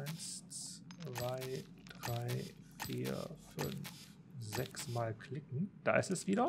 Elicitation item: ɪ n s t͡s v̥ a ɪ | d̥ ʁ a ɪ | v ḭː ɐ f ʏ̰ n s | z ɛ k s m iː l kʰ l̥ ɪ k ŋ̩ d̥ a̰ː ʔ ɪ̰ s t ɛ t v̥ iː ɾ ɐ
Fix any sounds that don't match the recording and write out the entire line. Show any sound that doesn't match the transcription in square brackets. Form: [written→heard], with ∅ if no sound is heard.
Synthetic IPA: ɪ n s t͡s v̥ a ɪ | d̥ ʁ a ɪ | [v→f] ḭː ɐ f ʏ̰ n [s→f] | z ɛ k s m [iː→aː] l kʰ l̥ ɪ k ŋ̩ d̥ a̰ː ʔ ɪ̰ s t ɛ [t→s] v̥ iː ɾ ɐ